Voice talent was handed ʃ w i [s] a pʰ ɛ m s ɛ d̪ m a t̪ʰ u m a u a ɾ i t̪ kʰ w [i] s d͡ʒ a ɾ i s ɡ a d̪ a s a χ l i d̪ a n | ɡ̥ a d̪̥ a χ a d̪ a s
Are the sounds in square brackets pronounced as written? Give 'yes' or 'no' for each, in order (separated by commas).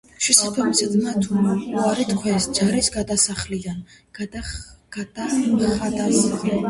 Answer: yes, no